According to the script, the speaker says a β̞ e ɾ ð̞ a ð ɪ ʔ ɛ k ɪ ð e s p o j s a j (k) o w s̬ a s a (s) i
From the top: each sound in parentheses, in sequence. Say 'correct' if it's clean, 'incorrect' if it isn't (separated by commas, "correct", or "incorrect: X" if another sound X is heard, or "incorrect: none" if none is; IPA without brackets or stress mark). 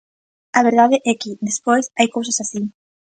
correct, correct